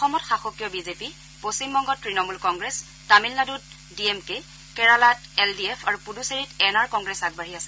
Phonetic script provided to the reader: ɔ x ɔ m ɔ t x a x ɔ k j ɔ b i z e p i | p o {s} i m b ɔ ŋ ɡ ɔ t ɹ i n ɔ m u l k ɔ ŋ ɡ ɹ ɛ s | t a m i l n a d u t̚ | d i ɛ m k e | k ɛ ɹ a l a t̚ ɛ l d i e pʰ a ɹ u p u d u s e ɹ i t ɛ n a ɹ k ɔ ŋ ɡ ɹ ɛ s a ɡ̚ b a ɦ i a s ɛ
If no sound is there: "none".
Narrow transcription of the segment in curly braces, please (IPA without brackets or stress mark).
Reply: s